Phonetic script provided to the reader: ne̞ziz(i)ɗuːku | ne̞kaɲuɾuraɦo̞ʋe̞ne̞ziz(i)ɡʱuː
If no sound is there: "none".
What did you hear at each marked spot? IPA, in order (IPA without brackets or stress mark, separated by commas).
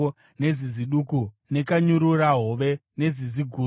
i, i